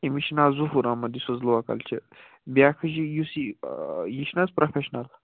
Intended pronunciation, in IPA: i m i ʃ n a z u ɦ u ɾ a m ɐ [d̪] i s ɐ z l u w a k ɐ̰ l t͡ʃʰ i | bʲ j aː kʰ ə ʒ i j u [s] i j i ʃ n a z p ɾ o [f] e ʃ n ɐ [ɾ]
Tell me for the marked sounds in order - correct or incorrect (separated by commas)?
correct, correct, correct, incorrect